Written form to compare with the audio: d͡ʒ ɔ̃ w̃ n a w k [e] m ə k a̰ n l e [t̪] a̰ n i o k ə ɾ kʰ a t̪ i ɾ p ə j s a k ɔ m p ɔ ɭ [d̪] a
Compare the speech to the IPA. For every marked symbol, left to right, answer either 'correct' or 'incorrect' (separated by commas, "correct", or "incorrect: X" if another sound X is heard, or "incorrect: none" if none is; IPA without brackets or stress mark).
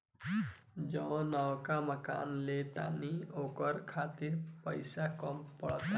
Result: incorrect: a, correct, incorrect: t̪